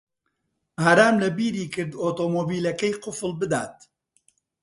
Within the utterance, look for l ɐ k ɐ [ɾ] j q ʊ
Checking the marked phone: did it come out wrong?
yes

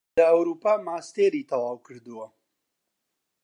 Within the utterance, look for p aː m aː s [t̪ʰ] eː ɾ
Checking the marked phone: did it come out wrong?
yes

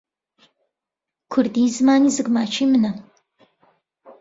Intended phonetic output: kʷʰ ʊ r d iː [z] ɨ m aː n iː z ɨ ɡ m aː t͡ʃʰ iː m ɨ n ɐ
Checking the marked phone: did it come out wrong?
no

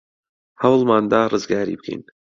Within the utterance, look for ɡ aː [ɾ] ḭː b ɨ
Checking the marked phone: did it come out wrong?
no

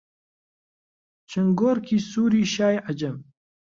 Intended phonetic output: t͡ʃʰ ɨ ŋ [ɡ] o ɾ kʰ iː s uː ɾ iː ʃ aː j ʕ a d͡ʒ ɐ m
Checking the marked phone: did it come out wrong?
no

